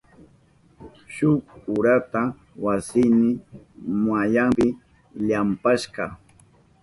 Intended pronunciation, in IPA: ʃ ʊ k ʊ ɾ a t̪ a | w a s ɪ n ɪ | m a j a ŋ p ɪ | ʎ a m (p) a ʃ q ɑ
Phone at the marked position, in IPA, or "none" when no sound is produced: p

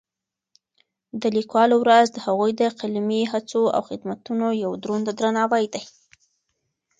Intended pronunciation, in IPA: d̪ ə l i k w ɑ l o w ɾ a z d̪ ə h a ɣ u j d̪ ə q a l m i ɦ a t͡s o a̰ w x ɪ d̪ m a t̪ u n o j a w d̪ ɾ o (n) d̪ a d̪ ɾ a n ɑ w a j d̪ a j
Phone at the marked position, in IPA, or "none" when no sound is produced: n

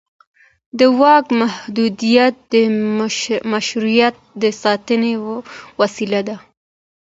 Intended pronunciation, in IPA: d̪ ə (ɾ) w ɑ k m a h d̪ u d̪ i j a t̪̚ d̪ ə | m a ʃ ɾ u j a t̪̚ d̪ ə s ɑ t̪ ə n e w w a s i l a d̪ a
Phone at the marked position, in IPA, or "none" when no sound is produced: none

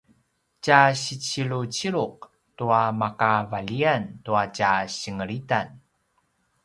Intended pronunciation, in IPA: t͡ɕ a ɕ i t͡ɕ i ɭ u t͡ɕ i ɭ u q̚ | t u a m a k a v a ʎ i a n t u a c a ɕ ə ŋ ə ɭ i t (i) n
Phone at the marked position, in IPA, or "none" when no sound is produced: a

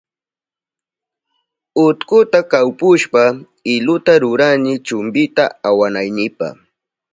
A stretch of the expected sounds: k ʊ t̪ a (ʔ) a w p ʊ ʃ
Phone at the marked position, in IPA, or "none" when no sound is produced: k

